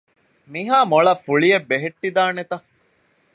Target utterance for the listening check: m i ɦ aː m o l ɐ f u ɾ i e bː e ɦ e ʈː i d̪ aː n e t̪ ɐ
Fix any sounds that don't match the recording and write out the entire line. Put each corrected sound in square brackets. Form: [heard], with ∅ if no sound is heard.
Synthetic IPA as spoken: m i ɦ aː m o [ɭ] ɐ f u [ɭ] i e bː e ɦ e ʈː i d̪ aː n e t̪ ɐ